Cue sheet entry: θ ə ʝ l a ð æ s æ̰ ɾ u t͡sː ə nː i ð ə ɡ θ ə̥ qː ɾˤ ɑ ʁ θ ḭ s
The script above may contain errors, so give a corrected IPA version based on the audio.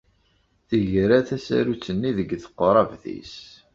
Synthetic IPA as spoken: θ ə ʝ ɾ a θ æ s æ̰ ɾ u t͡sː ə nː i ð ə ɡ θ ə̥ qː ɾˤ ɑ v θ ḭ s